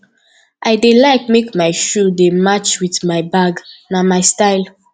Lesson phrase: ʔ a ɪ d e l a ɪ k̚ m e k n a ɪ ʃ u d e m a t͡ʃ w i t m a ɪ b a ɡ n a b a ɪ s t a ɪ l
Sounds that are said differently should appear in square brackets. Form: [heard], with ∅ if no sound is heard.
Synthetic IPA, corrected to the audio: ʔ a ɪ d e l a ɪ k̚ m e k [m] a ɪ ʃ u d e m a t͡ʃ w i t m a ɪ b a ɡ n a [m] a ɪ s t a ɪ l